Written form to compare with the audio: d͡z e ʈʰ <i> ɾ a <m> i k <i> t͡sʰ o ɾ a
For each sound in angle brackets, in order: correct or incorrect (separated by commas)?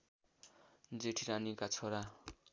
correct, incorrect, incorrect